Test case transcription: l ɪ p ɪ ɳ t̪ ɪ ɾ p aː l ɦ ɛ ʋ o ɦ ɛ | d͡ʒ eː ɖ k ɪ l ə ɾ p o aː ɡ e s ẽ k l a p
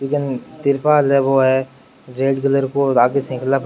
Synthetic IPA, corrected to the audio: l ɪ k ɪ n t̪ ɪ ɾ p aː l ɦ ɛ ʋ o ɦ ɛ | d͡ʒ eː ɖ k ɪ l ə ɾ k o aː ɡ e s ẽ k l a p